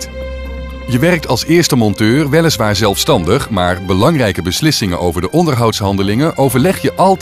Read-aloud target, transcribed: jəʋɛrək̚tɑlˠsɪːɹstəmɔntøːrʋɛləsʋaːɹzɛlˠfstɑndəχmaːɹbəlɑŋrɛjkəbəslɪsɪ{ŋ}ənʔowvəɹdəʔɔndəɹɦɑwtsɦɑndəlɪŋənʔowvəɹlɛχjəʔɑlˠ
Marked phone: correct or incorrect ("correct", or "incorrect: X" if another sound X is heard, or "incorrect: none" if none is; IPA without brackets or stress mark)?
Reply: correct